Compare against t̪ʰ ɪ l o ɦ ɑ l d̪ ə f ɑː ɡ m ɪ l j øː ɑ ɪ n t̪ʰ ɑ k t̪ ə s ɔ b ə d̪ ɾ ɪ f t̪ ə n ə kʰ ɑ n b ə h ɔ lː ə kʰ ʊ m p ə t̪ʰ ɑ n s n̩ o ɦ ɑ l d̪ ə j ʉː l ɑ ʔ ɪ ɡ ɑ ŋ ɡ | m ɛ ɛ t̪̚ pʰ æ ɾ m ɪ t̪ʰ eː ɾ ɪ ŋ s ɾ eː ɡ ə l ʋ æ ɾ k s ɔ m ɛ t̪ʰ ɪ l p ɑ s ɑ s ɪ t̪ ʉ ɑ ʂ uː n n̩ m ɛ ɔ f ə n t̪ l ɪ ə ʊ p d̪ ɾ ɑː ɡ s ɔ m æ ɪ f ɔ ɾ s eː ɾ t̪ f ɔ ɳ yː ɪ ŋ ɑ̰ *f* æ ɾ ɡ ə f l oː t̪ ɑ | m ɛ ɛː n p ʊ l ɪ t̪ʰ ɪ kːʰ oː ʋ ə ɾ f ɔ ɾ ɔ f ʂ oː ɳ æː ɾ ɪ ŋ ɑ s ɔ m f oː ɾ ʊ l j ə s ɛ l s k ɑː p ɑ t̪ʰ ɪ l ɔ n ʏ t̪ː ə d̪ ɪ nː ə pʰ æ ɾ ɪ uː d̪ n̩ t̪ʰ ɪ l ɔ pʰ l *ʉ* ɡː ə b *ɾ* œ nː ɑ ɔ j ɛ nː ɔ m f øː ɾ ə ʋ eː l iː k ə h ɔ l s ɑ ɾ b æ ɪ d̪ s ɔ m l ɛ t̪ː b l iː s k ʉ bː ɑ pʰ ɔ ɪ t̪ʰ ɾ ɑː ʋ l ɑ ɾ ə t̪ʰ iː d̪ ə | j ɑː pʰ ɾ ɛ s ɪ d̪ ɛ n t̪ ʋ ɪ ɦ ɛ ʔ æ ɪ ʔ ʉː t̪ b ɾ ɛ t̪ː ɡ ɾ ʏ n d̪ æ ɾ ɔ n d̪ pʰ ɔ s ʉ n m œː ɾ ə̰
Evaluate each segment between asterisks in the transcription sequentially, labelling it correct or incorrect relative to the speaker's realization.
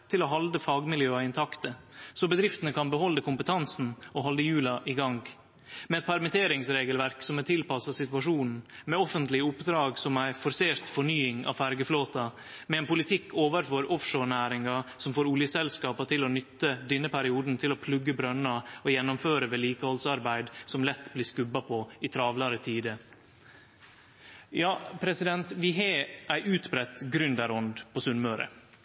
correct, correct, correct

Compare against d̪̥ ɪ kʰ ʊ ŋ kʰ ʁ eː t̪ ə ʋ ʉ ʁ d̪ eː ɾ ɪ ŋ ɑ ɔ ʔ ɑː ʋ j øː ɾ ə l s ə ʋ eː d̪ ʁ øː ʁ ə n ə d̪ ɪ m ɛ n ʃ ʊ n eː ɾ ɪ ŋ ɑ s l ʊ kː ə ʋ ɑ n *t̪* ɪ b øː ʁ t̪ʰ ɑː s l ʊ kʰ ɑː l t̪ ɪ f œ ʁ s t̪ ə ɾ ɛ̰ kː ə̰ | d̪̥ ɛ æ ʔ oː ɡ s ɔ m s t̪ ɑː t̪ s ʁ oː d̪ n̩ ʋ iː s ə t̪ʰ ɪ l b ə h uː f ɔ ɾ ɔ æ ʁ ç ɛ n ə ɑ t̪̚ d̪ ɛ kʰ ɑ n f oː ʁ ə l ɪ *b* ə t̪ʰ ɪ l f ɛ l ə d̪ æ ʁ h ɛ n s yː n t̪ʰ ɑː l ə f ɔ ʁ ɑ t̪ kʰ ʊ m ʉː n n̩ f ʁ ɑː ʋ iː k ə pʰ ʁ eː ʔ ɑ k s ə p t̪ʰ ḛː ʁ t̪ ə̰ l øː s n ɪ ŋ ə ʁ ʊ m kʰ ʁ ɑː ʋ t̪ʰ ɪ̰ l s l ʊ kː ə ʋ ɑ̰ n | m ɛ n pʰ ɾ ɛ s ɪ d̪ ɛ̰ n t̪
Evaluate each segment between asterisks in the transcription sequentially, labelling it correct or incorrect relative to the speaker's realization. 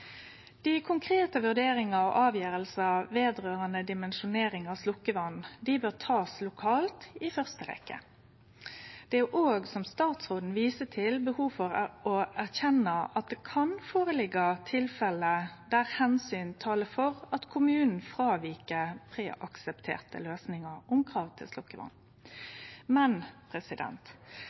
incorrect: d̪, incorrect: ɡ

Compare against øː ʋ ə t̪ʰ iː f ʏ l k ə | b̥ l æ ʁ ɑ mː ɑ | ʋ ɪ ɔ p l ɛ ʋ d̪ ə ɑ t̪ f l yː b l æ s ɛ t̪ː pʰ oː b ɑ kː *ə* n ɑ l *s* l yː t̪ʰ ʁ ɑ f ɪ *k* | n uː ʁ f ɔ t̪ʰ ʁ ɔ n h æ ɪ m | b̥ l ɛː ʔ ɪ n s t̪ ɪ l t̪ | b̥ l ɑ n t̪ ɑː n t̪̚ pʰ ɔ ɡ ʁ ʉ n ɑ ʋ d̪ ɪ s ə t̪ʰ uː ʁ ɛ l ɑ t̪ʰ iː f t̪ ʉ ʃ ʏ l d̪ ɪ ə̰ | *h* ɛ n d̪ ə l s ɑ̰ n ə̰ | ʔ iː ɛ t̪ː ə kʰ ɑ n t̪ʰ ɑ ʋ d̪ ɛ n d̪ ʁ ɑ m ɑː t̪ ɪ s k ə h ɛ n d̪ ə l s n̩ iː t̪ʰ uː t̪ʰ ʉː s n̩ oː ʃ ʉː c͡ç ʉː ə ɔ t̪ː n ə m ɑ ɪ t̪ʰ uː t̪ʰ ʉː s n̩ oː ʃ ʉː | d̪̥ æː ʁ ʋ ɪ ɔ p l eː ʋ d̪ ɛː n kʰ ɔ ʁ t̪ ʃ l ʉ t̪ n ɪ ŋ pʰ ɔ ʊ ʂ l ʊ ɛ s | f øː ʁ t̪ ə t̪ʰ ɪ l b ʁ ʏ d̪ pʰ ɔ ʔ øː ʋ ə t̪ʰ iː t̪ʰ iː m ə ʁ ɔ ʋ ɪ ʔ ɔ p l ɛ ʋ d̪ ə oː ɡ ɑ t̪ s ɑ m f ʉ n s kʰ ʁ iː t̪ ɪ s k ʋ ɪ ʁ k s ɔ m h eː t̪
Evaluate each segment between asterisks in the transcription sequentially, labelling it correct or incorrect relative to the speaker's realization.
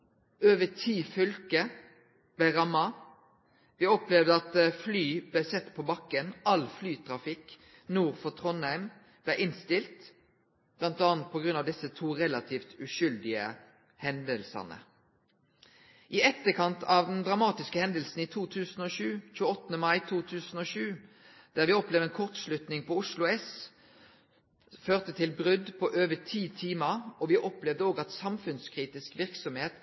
correct, incorrect: f, correct, correct

